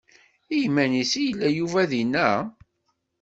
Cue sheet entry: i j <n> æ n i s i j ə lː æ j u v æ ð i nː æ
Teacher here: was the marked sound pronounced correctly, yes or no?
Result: no